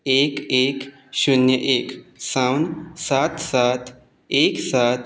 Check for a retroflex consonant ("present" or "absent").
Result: absent